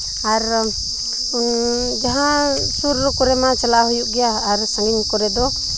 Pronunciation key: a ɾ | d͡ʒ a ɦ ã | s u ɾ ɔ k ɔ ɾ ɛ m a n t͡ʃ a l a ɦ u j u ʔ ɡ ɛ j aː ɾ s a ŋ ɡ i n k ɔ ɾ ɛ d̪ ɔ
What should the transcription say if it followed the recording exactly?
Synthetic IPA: a ɾ | d͡ʒ a ɦ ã | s u ɾ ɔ k ɔ ɾ ɛ m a t͡ʃ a l a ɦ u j u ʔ ɡ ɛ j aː ɾ s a ŋ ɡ i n k ɔ ɾ ɛ d̪ ɔ

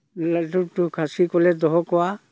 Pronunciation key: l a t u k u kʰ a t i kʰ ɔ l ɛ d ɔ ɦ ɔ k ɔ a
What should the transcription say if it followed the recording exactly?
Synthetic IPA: l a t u t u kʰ a s i k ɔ l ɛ d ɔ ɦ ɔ k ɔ a

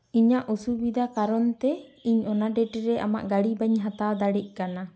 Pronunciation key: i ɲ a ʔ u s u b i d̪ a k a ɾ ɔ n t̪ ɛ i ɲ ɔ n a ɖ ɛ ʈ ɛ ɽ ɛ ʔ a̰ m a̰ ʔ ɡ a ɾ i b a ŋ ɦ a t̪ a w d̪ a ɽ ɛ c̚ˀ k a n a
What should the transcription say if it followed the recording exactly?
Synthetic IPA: i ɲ a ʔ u s u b i d̪ a k a ɾ ɔ n t̪ ɛ i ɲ ɔ n a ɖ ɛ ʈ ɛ ɾ ɛ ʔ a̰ m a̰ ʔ ɡ a ɽ i b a ɲ ɦ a t̪ a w d̪ a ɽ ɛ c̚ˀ k a n a

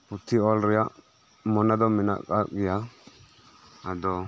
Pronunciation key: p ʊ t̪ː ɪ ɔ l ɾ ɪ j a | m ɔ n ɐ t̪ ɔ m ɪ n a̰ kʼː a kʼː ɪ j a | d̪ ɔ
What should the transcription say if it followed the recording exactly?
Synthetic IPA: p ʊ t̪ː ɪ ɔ l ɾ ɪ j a | m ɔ n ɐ d̪ ɔ m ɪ n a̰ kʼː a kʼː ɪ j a | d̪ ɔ

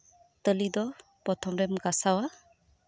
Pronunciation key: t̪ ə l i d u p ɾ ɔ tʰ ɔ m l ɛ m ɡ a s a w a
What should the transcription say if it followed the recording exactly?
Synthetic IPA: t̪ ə l i d ɔ p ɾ ɔ tʰ ɔ m ɾ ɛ m ɡ a s a w a

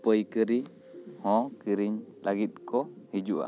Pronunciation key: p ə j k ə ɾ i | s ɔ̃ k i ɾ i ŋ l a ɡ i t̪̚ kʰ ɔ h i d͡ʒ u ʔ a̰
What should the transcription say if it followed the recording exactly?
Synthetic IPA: p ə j k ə ɾ i | h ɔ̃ k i ɾ i ɲ l a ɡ i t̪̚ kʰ ɔ h i d͡ʒ u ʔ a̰

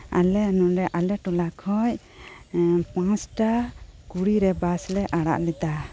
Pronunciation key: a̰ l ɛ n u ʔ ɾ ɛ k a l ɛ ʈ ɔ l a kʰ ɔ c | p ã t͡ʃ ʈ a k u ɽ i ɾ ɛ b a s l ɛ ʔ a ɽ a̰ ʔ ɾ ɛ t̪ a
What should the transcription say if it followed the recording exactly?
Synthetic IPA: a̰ l ɛ n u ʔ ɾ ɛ ʔ a l ɛ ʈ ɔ l a kʰ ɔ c | p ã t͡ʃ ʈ a k u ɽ i ɾ ɛ b a s l ɛ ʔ a ɽ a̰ ʔ l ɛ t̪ a

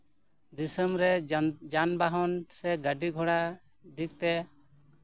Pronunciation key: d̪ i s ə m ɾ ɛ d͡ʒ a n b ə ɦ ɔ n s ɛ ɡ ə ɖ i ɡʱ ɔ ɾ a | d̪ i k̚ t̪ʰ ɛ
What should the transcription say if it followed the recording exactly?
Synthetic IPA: d̪ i s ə m ɾ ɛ d͡ʒ a n b a ɦ ɔ n s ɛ ɡ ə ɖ i ɡʱ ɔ ɽ a | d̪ i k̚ t̪ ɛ

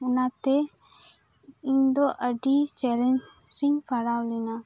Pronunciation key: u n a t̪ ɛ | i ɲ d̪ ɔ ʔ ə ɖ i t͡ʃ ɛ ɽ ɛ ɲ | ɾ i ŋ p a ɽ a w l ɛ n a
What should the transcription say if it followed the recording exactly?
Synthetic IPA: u n a t̪ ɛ | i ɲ d̪ ɔ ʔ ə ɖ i t͡ʃ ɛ l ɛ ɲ | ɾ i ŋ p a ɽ a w l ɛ n a

